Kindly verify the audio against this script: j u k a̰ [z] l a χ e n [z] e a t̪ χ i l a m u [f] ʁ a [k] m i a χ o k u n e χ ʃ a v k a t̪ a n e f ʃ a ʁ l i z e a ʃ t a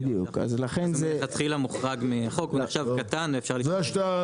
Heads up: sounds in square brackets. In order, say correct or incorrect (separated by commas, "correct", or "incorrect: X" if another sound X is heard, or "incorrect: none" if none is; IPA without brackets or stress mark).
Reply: correct, correct, incorrect: χ, incorrect: ɡ